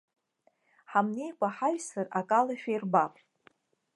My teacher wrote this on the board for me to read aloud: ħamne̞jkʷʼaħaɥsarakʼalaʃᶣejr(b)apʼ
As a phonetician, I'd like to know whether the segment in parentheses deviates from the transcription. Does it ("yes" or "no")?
no